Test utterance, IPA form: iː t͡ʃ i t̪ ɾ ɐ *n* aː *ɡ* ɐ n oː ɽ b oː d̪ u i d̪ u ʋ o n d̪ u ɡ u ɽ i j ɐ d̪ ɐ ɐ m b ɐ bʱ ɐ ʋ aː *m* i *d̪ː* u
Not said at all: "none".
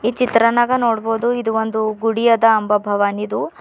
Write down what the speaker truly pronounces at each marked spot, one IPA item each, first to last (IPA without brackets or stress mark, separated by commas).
n, ɡ, n, d̪